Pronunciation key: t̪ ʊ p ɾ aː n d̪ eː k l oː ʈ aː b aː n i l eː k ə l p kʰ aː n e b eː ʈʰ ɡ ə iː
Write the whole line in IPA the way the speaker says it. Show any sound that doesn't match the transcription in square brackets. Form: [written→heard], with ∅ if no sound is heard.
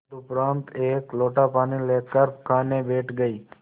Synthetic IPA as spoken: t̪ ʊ p ɾ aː n [d̪→t̪] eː k l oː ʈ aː [b→p] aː n i l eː k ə [l→ɾ] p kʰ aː n e b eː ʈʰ ɡ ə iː